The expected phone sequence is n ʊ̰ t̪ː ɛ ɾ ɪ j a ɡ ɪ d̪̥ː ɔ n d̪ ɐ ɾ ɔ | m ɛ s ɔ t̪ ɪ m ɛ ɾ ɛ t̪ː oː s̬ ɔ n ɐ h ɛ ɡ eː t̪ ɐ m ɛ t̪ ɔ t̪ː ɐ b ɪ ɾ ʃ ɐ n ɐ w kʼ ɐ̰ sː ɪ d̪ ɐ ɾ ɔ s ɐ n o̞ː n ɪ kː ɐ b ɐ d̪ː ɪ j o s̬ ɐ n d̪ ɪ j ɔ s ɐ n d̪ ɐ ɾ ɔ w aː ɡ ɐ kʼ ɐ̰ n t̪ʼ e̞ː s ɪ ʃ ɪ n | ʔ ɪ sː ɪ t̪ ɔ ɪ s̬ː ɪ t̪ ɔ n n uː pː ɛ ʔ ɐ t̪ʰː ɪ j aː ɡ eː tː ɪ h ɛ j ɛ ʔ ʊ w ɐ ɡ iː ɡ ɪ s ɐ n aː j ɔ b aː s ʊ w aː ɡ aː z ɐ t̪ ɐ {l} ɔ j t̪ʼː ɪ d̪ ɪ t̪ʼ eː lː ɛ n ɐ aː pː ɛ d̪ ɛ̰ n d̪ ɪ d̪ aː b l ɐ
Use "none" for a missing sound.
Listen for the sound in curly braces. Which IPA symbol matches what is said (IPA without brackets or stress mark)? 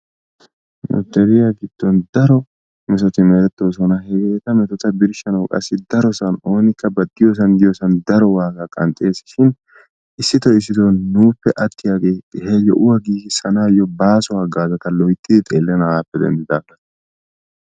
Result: l